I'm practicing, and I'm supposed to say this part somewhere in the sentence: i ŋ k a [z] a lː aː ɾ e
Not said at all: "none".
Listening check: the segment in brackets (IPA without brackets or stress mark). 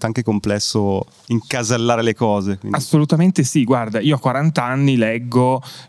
z